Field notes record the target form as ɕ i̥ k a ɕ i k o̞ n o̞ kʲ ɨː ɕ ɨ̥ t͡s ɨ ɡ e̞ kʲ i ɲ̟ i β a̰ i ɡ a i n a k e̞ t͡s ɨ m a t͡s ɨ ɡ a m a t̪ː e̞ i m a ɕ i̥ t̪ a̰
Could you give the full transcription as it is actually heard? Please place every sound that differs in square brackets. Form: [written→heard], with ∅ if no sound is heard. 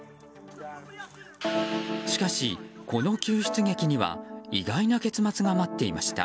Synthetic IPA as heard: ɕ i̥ k a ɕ i k o̞ n o̞ kʲ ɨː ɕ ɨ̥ t͡s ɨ ɡ e̞ kʲ i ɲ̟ i β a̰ i ɡ a i n a k e̞ t͡s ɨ m a t͡s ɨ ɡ a m a t̪ː e̞ i m a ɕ i̥ t̪ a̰